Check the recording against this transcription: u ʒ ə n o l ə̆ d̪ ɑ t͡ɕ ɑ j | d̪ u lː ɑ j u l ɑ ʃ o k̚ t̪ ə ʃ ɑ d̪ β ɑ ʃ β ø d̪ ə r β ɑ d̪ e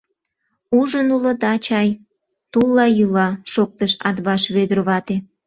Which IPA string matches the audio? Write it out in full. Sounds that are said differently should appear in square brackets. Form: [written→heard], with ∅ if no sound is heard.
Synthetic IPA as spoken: u ʒ ə n [o→u] l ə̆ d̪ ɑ t͡ɕ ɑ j | [d̪→t̪] u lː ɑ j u l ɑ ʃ o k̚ t̪ ə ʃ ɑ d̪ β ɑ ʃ β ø d̪ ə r β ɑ [d̪→t̪] e